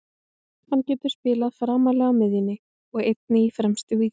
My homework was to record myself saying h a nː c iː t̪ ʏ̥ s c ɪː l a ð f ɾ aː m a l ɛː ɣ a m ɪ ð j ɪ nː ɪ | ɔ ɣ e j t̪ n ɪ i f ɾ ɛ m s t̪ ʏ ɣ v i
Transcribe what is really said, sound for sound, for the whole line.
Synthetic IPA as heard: h a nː c ɛː t̪ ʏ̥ s p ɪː l a ð f ɾ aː m a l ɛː ɣ a m ɪ ð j ɪ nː ɪ | ɔ ɣ e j t̪ n ɪ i f ɾ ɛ m s t̪ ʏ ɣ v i